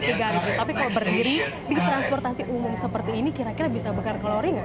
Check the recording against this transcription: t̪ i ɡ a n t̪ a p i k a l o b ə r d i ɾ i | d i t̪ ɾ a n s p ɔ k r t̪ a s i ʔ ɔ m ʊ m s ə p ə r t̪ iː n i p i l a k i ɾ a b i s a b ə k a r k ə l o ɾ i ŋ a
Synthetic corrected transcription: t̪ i ɡ a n t̪ a p i k a l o b ə r d i ɾ i | d i t̪ ɾ a n s p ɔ r t̪ a s i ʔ u m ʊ m s ə p ə r t̪ iː n i k i ɾ a k i ɾ a b i s a b ə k a r k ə l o ɾ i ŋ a